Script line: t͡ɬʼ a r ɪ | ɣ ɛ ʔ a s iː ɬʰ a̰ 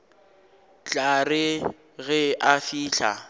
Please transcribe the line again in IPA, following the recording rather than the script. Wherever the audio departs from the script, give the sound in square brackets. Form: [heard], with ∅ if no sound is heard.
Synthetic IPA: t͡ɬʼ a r ɪ | ɣ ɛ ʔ a [f] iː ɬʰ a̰